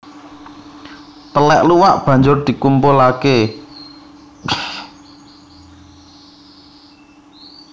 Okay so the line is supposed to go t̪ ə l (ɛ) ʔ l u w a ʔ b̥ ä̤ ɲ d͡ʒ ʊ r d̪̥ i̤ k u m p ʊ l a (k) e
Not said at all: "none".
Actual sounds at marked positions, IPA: ɛ, k

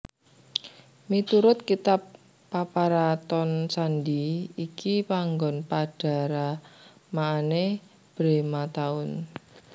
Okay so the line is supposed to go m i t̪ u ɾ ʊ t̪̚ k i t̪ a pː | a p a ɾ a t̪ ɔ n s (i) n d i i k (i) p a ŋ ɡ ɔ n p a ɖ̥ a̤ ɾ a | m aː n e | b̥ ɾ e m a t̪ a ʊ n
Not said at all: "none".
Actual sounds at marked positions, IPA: a, i

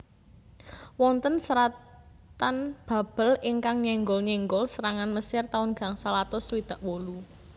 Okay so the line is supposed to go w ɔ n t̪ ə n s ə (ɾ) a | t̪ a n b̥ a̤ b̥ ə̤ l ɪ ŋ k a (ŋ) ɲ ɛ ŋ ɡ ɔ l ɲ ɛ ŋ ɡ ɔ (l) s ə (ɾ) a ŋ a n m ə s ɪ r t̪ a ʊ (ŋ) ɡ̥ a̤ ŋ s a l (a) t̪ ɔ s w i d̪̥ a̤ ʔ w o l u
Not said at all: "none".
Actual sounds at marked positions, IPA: ɾ, ŋ, l, ɾ, n, a

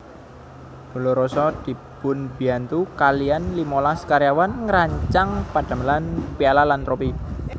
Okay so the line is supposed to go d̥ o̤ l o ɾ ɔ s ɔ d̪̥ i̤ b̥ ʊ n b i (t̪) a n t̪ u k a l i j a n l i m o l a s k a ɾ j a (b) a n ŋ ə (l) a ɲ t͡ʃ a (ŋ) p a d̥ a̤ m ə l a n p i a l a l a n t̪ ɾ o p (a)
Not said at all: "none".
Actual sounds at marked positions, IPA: none, w, ɾ, ŋ, i

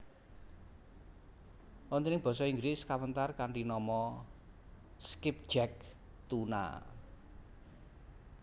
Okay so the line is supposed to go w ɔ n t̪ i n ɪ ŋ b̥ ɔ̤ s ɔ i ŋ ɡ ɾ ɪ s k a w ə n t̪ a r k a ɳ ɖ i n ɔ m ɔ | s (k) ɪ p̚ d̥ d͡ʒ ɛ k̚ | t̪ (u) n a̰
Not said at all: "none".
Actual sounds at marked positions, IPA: k, u

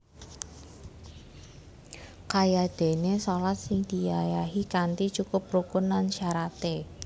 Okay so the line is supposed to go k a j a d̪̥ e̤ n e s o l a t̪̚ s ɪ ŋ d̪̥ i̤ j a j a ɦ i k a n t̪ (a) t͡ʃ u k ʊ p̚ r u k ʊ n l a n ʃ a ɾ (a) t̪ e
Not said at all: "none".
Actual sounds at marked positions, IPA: i, a

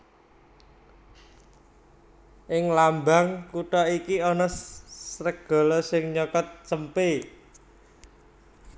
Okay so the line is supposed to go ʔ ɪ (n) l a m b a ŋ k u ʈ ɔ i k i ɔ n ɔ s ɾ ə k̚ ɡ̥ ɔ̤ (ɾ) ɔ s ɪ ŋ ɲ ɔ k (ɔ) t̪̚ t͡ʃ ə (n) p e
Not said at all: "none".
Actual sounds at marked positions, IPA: ŋ, l, ɔ, m

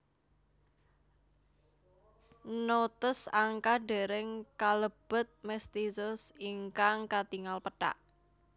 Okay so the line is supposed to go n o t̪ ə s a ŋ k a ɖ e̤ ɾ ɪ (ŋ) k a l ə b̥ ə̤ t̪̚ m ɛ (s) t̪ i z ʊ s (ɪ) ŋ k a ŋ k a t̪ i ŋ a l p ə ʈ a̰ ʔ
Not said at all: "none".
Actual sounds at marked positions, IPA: ŋ, s, i

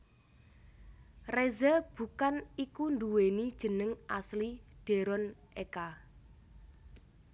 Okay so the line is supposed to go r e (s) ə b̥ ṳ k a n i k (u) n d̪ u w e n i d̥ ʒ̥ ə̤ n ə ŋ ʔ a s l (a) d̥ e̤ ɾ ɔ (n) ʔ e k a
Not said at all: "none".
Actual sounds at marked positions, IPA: z, u, i, n

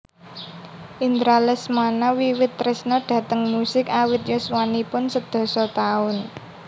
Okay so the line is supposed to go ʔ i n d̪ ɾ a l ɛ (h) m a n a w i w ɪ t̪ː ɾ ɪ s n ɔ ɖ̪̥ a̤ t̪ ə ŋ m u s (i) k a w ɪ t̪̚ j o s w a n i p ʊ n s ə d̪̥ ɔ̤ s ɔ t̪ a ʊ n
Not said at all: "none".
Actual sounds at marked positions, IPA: s, ɪ

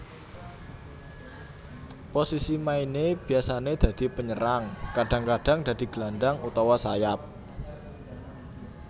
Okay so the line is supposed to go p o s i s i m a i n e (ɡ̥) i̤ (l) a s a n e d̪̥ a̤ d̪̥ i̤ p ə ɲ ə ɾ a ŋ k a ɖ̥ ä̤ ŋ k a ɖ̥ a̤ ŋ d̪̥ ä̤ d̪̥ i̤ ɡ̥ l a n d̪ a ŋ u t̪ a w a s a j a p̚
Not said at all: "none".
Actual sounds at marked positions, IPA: b̥, none

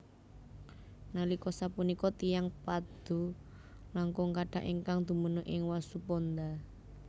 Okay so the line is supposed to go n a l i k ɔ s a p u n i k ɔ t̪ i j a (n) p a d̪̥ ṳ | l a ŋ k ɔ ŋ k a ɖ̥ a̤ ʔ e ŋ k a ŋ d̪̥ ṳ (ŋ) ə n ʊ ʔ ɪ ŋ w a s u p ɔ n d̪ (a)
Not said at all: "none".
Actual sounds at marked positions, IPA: ŋ, m, a

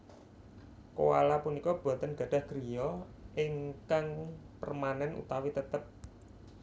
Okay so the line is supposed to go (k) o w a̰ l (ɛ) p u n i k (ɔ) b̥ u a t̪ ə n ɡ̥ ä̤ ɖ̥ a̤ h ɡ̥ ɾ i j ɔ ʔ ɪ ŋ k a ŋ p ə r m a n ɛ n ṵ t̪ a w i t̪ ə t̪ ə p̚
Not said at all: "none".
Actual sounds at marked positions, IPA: k, a, ɔ

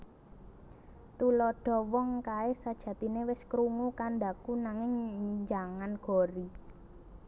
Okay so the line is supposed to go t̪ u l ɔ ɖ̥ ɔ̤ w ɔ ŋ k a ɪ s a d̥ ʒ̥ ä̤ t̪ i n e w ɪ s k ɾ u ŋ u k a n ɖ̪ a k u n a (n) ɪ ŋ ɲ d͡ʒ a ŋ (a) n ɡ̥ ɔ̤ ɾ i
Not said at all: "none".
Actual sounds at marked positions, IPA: ŋ, a

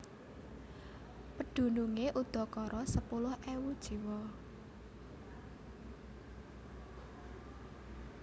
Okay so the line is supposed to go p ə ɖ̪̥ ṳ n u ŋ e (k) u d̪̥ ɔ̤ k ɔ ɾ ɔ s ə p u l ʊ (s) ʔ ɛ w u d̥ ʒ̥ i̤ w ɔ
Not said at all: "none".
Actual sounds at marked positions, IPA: ʔ, h

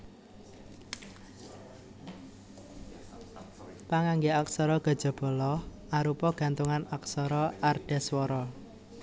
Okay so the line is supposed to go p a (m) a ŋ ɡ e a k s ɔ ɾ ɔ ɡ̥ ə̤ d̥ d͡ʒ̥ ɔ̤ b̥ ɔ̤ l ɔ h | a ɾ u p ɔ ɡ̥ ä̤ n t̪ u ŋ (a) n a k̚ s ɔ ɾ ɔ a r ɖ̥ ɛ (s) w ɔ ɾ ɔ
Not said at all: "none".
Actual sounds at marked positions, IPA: ŋ, a, s

